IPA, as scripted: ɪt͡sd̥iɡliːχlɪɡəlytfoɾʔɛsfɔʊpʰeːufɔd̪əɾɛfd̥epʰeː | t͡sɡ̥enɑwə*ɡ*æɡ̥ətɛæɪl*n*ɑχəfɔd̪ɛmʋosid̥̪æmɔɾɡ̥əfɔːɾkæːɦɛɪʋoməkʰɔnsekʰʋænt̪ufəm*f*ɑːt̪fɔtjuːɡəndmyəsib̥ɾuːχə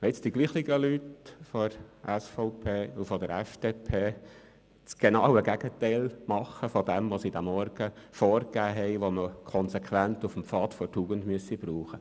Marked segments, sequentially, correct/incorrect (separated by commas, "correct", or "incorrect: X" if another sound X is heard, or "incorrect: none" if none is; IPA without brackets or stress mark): correct, incorrect: m, correct